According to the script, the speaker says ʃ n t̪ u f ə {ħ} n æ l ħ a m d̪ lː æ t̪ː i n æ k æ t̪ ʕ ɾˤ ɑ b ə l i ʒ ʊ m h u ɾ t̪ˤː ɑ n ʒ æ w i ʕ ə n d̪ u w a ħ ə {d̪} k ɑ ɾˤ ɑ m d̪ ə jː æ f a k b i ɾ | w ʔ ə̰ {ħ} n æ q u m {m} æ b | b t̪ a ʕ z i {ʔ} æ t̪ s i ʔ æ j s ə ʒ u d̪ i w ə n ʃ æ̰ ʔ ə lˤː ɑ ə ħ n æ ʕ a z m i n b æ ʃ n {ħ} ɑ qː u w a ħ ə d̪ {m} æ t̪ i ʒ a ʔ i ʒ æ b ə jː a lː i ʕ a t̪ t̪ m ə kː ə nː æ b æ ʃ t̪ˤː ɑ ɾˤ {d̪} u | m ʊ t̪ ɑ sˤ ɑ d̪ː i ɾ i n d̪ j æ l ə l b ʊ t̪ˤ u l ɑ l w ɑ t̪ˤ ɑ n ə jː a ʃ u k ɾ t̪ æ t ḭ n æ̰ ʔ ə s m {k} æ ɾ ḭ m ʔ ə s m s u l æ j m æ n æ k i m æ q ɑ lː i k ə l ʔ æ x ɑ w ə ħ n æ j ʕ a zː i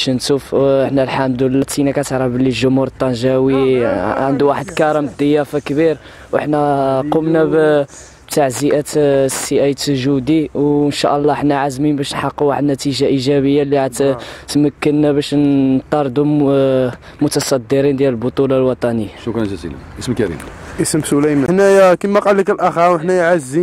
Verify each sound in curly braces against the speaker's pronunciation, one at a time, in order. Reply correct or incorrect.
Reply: correct, correct, correct, incorrect, correct, correct, incorrect, correct, correct

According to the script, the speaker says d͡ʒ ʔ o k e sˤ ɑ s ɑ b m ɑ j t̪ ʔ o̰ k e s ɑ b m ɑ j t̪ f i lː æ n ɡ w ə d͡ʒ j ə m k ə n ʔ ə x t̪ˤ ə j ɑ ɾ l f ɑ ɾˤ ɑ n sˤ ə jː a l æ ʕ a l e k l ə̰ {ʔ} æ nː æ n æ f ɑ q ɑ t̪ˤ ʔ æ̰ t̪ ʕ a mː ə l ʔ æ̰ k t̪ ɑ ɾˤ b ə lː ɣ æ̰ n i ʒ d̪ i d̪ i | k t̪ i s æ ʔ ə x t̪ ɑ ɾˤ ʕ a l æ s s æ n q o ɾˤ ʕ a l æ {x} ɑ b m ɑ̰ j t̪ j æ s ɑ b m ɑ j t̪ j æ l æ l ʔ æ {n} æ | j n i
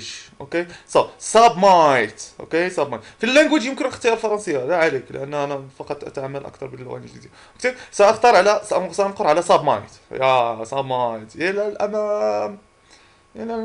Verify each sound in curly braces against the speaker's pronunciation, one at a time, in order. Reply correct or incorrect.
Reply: correct, incorrect, incorrect

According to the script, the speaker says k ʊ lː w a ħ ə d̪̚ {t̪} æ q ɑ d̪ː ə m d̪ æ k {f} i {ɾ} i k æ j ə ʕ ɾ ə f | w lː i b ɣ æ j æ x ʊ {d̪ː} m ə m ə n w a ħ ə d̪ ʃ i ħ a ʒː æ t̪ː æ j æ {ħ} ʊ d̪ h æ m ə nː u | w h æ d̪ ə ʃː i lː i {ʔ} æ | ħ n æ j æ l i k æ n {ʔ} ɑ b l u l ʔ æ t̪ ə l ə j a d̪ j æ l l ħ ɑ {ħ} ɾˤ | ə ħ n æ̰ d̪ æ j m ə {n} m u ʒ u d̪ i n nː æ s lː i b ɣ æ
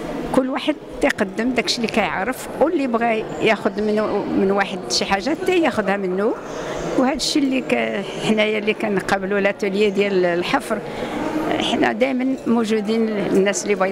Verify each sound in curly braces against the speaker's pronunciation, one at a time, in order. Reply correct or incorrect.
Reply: correct, incorrect, incorrect, incorrect, incorrect, incorrect, incorrect, incorrect, correct

